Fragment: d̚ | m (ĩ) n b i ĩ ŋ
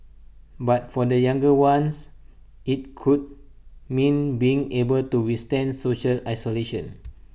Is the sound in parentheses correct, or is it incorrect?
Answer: correct